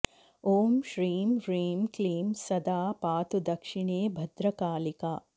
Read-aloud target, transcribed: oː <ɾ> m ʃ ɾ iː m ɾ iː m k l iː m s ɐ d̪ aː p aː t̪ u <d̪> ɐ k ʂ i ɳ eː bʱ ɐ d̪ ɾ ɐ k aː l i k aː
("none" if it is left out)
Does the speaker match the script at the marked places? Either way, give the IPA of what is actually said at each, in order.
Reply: none, d̪

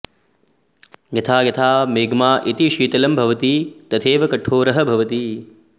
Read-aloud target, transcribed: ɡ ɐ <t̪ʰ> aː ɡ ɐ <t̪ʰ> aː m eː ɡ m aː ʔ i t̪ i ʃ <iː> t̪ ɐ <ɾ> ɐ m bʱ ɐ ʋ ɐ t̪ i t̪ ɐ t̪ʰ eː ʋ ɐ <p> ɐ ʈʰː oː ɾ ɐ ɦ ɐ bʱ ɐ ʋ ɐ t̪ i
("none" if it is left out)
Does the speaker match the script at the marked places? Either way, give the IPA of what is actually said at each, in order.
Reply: t̪ʰ, t̪ʰ, iː, l, k

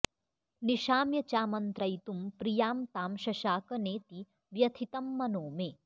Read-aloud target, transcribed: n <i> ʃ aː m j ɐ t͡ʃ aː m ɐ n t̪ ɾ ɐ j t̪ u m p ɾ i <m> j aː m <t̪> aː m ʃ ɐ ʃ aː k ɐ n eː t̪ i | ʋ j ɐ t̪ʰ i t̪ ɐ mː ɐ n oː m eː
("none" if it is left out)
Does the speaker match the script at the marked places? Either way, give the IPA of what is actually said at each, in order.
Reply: i, none, t̪

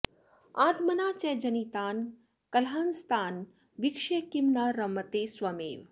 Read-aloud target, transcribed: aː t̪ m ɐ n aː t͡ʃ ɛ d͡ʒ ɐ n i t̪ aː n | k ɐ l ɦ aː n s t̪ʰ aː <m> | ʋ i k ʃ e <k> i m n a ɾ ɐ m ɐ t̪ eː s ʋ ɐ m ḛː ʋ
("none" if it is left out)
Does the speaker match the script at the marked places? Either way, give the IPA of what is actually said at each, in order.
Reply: n, k

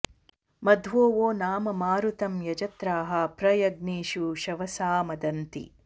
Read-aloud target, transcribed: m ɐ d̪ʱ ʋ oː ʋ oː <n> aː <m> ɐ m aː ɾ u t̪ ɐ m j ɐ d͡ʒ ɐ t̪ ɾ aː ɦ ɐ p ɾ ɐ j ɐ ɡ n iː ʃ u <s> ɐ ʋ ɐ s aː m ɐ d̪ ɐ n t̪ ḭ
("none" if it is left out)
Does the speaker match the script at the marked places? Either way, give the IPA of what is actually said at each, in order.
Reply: n, m, ʃ

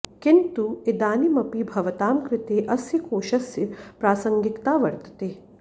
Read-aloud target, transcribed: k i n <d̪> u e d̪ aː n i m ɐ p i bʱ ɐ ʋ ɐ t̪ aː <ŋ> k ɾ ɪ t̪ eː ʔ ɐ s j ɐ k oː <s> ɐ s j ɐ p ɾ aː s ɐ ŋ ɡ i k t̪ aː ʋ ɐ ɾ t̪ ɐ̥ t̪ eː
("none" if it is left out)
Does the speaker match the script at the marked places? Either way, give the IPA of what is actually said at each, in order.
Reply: t̪, m, ʃ

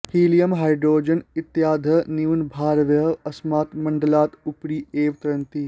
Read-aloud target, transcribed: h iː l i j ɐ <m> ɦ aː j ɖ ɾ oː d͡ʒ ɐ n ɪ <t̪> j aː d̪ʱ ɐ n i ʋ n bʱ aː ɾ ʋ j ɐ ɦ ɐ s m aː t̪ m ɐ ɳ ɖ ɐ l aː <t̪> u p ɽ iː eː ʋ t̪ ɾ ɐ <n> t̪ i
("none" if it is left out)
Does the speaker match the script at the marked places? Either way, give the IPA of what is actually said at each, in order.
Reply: m, t̪, t̪, n

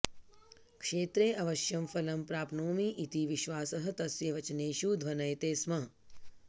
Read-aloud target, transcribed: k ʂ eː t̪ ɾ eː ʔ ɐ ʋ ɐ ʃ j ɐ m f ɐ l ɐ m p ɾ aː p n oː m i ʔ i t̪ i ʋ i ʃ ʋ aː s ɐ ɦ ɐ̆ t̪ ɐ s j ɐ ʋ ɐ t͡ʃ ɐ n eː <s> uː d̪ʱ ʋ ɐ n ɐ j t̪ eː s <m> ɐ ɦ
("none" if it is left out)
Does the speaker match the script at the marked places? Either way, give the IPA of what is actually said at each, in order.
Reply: ʃ, m

